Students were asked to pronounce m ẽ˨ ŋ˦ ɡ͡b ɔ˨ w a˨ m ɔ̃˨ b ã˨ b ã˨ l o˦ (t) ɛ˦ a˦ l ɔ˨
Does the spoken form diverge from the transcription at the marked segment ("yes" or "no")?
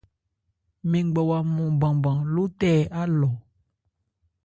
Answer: no